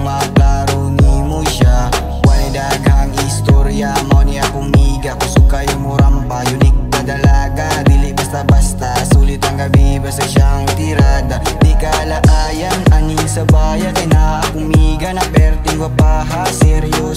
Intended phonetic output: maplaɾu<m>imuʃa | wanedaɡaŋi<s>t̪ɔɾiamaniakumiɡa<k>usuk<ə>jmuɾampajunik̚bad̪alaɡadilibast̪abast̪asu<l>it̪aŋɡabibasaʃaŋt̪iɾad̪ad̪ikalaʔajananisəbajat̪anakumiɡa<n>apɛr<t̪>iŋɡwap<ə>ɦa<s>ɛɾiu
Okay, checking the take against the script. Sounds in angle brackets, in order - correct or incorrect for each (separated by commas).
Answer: incorrect, correct, correct, incorrect, correct, correct, correct, incorrect, correct